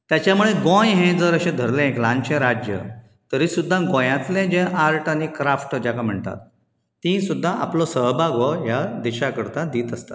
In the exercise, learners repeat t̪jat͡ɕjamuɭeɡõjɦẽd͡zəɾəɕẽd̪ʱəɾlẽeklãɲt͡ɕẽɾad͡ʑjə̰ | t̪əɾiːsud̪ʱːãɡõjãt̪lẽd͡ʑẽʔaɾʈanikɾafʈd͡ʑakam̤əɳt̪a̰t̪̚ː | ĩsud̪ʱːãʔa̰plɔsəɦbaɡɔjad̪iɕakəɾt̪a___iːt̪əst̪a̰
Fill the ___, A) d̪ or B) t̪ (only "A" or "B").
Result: A